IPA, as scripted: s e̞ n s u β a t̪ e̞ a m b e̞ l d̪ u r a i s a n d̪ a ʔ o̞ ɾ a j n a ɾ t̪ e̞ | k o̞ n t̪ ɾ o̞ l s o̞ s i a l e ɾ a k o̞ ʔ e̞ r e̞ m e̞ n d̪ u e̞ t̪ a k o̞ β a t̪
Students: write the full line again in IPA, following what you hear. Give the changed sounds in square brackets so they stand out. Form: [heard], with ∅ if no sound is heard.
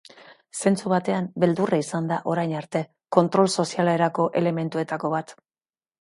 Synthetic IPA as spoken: s e̞ n [t͡s] u β a t̪ e̞ a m b e̞ l d̪ u r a i s a n d̪ a ʔ o̞ ɾ a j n a ɾ t̪ e̞ | k o̞ n t̪ ɾ o̞ l s o̞ s i a l e ɾ a k o̞ ʔ e̞ [l] e̞ m e̞ n [t̪] u e̞ t̪ a k o̞ β a t̪

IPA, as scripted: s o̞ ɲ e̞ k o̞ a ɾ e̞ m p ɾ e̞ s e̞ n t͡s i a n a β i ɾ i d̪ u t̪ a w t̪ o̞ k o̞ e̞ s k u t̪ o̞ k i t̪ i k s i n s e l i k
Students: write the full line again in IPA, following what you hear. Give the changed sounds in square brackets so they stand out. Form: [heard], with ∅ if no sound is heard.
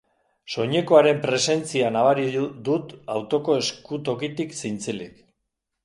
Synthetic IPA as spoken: s o̞ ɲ e̞ k o̞ a ɾ e̞ m p ɾ e̞ s e̞ n t͡s i a n a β [a] ɾ i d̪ u t̪ a w t̪ o̞ k o̞ e̞ s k u t̪ o̞ k i t̪ i k s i n [t͡s] e l i k

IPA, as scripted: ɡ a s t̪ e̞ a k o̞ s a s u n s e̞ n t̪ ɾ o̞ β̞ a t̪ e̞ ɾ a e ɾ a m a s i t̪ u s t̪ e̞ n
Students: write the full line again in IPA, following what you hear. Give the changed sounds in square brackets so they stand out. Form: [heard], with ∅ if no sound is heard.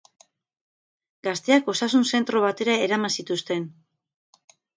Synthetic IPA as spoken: ɡ a s t̪ e̞ a k o̞ s a s u n s e̞ n t̪ ɾ o̞ β̞ a t̪ e̞ ɾ a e ɾ a m a s i t̪ u s t̪ e̞ n

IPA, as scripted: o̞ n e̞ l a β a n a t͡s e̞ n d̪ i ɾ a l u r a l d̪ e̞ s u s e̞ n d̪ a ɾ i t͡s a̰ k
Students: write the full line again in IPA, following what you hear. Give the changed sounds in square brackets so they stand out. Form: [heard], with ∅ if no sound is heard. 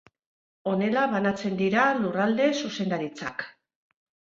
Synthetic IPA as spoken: o̞ n e̞ l a β a n a t͡s e̞ n d̪ i ɾ a l u r a l d̪ e̞ s u s e̞ n d̪ a ɾ i t͡s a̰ k

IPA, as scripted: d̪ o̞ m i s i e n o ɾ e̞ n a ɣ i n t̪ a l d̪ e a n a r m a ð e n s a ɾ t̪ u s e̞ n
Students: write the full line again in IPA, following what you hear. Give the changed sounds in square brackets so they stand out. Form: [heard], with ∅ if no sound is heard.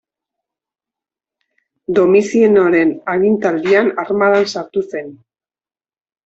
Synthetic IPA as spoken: d̪ o̞ m i s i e n o ɾ e̞ n a ɣ i n t̪ a l d̪ [i] a n a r m a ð [a] n s a ɾ t̪ u s e̞ n

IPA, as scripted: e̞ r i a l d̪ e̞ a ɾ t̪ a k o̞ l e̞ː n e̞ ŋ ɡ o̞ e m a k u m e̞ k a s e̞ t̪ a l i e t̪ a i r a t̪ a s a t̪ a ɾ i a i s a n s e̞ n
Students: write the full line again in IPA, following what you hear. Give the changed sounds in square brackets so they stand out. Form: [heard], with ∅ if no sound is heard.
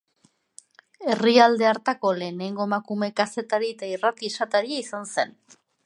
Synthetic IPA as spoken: e̞ r i a l d̪ e̞ a ɾ t̪ a k o̞ l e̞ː n e̞ ŋ ɡ o̞ e m a k u m e̞ k a s e̞ t̪ a [ɾ] i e t̪ a i r a t̪ [i] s a t̪ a ɾ i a i s a n s e̞ n

